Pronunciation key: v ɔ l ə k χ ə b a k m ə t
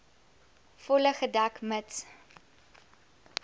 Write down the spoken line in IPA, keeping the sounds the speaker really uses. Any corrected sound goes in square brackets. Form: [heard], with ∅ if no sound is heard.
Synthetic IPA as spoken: [f] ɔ l ə [∅] χ ə [d] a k m ə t